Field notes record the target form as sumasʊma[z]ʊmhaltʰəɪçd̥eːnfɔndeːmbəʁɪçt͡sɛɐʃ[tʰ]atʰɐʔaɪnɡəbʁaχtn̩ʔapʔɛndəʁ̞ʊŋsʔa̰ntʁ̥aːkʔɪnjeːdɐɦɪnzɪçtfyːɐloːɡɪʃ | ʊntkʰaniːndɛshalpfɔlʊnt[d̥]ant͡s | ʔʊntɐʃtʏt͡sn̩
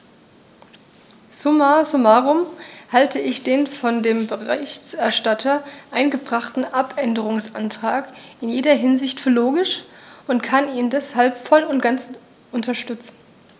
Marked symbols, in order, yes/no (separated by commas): no, no, no